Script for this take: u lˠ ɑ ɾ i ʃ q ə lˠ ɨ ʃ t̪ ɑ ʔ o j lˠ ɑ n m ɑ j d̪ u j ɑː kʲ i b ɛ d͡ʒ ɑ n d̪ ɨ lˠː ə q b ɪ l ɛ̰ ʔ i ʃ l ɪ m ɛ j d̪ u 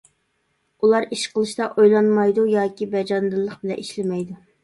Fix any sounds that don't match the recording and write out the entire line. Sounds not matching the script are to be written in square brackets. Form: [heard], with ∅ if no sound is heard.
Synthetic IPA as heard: u lˠ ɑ ɾ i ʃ q ə lˠ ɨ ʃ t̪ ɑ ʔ o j lˠ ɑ n m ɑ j d̪ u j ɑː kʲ i b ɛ d͡ʒ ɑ n d̪ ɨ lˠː ə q b ɪ l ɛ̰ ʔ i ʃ l ɪ m ɛ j d̪ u